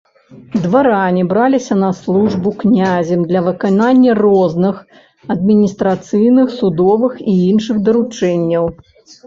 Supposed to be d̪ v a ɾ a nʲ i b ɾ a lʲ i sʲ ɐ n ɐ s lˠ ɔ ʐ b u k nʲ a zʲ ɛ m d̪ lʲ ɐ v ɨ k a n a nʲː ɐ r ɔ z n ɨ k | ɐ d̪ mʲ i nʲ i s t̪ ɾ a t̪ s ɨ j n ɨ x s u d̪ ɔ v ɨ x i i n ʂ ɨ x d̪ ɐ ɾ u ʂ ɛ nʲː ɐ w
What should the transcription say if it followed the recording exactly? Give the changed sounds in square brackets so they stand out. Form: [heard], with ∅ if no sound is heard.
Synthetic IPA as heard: d̪ v a ɾ a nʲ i b ɾ a lʲ i sʲ ɐ n ɐ s lˠ [u] ʐ b u k nʲ a zʲ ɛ m d̪ lʲ ɐ v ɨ k a n a nʲː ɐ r ɔ z n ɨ [x] | ɐ d̪ mʲ i nʲ i s t̪ ɾ a t̪ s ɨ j n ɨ x s u d̪ ɔ v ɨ x i i n ʂ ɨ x d̪ ɐ ɾ u [t͡ʂ] ɛ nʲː ɐ w